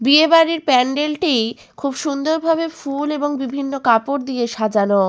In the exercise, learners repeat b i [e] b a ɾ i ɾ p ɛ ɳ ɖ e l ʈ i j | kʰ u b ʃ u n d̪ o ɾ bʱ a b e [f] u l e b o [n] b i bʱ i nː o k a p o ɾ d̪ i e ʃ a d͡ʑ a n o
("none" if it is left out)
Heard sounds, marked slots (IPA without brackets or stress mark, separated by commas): e, f, ŋ